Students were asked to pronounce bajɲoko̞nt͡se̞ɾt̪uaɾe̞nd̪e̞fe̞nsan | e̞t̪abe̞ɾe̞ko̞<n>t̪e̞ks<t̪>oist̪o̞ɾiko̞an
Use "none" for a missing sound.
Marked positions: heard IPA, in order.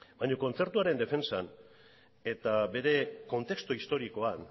n, t̪

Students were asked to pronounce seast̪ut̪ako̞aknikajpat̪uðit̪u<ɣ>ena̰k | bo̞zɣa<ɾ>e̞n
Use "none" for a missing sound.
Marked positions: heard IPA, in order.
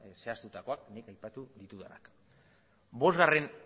ð, r

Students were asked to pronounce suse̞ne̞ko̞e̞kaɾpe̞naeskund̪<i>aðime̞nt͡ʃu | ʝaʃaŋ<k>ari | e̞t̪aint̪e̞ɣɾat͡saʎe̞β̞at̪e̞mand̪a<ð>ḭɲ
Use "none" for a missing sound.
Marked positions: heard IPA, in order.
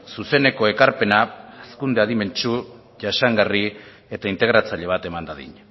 e, ɡ, ð

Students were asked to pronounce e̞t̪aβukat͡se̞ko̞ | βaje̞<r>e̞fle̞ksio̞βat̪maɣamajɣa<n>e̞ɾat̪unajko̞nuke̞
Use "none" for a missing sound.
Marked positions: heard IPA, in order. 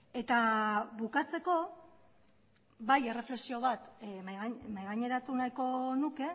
r, ɲ

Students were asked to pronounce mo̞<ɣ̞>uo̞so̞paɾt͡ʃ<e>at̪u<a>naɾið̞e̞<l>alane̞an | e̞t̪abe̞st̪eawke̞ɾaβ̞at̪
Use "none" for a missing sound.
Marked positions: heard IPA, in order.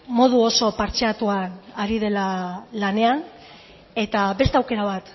ð̞, e, a, l

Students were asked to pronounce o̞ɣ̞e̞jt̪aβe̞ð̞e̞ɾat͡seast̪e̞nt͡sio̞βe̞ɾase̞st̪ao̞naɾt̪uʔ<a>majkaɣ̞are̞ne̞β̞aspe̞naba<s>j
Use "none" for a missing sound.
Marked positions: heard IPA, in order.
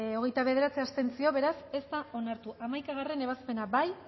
a, none

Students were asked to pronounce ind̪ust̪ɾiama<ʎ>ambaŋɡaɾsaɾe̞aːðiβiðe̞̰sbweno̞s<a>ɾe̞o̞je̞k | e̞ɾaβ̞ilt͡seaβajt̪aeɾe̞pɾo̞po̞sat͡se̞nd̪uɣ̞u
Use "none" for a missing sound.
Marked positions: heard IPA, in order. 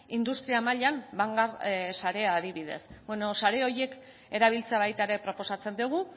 ʎ, a

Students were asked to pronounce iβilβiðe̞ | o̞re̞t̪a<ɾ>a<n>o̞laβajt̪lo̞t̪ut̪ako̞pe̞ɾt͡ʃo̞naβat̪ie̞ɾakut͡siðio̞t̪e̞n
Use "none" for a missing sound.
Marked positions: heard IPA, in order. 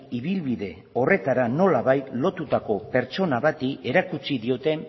ɾ, n

